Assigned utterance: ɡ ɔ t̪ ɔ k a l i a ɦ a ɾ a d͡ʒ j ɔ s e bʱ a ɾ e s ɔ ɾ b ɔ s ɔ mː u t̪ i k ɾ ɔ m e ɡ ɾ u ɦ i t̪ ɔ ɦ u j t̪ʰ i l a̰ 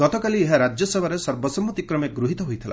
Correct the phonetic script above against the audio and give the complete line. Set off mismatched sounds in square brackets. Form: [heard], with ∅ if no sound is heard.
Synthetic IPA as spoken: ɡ ɔ t̪ ɔ k a l i [e] ɦ a ɾ a d͡ʒ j ɔ s e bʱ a ɾ e s ɔ ɾ b ɔ s ɔ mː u t̪ i k ɾ ɔ m e ɡ ɾ u ɦ i t̪ ɔ ɦ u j t̪ʰ i l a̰